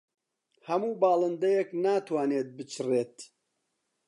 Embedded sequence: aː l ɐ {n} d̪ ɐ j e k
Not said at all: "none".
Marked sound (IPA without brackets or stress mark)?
n